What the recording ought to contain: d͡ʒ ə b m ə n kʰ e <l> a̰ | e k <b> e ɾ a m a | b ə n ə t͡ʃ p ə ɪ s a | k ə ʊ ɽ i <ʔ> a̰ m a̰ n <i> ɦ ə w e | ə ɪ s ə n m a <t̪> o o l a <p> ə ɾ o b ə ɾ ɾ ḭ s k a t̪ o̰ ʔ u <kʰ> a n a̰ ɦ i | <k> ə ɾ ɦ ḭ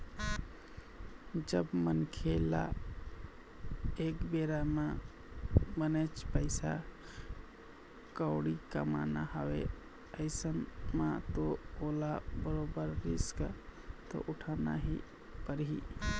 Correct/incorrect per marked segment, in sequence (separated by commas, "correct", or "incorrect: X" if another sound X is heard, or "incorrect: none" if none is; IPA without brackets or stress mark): correct, correct, incorrect: k, incorrect: a, correct, incorrect: b, incorrect: ʈʰ, incorrect: p